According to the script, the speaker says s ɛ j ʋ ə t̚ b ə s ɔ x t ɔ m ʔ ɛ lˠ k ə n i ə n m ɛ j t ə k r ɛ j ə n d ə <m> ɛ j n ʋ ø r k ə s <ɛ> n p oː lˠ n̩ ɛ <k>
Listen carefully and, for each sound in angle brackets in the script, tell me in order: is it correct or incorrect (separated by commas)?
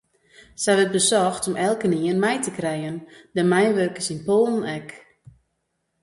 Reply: correct, incorrect, correct